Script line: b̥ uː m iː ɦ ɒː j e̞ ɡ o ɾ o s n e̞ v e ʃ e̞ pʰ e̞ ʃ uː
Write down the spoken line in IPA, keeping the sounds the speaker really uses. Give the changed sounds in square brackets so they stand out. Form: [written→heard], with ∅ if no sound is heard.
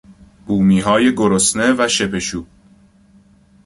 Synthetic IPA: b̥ uː m iː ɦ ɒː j e̞ ɡ o ɾ o s n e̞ v [e→æ] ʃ e̞ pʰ e̞ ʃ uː